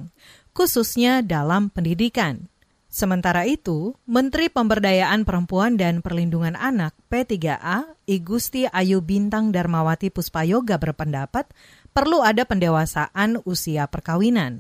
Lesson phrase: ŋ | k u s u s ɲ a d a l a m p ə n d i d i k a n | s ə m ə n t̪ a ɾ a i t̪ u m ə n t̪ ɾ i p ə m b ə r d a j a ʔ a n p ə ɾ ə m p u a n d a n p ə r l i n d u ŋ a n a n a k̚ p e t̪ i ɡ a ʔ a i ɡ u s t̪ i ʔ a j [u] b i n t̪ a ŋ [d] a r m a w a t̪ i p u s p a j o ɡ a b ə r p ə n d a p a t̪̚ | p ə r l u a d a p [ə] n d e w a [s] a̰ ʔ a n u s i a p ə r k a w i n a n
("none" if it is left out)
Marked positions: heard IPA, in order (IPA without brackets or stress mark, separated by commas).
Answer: u, d, ə, s